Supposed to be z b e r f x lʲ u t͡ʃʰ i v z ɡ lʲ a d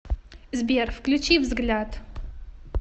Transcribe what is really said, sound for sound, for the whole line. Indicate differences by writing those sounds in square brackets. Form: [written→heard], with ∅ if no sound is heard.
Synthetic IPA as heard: z b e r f [x→k] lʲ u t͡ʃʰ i v z ɡ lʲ a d